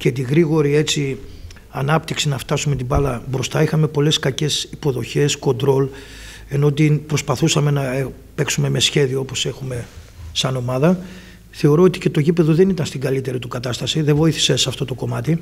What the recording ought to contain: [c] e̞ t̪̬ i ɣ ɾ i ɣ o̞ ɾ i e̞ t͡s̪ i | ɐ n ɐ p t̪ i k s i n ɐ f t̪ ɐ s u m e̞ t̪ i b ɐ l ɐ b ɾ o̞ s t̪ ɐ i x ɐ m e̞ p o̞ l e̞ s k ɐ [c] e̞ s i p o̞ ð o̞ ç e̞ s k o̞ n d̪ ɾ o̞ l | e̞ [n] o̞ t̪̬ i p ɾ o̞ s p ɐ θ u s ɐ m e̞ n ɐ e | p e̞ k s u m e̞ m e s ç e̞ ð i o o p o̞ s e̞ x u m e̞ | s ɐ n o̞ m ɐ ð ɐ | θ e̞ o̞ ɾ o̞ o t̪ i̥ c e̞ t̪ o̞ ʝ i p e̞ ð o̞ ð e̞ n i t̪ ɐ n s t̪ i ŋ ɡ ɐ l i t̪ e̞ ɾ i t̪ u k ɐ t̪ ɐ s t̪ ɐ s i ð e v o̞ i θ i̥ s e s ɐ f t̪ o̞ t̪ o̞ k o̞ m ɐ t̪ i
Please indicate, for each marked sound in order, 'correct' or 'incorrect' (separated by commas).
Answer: correct, correct, correct